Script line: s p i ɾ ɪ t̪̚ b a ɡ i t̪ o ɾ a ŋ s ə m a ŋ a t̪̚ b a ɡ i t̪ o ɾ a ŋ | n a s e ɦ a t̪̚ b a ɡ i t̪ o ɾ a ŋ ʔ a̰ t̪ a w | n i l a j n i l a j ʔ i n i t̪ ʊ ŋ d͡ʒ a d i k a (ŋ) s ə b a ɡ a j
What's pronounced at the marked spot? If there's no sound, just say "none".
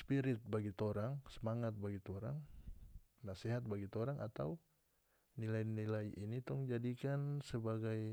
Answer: n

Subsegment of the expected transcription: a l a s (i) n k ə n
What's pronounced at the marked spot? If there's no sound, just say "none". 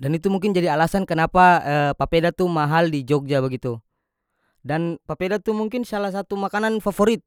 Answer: a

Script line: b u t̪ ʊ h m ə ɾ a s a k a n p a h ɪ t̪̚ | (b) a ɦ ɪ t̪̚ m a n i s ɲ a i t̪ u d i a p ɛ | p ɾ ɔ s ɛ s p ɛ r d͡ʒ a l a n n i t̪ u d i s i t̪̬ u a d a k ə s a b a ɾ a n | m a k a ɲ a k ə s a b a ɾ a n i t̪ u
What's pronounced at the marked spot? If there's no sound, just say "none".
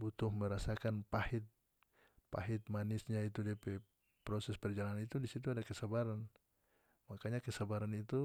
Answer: p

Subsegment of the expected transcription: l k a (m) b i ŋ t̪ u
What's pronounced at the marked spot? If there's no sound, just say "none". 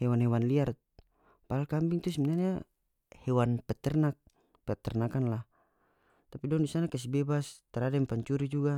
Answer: m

